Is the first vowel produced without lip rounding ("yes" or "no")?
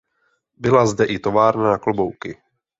yes